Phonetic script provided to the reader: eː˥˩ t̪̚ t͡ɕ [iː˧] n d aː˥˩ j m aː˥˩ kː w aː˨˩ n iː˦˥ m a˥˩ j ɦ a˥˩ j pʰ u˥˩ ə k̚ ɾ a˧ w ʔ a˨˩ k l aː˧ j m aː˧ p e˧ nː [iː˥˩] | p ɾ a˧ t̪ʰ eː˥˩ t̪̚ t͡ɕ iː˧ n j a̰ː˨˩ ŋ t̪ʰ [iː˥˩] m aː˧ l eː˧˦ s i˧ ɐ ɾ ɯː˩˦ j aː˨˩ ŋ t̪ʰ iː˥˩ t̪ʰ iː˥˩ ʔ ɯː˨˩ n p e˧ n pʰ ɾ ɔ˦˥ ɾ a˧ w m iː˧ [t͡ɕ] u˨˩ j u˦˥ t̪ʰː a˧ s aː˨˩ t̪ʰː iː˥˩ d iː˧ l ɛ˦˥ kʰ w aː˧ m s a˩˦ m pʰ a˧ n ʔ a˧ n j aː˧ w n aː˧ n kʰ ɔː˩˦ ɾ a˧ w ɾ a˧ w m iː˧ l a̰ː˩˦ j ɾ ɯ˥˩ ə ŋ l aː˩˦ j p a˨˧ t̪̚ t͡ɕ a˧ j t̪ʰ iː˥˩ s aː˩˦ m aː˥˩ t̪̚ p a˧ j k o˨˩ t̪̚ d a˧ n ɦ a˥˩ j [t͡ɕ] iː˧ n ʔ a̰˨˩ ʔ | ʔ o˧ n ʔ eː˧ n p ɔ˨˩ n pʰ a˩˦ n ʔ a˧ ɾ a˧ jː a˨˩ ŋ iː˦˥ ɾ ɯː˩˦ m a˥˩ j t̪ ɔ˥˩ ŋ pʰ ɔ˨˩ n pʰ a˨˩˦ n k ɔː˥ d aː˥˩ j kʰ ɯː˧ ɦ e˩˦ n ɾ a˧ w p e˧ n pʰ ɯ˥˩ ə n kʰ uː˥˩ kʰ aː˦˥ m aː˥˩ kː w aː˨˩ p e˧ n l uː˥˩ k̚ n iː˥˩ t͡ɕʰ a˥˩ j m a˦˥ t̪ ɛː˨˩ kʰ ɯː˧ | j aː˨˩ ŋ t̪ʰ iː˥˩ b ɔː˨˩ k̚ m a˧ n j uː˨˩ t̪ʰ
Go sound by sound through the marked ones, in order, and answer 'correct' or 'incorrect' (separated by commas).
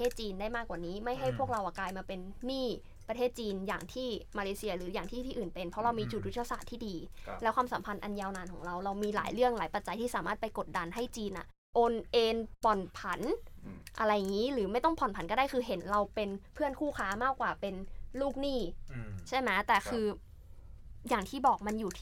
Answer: correct, correct, correct, correct, correct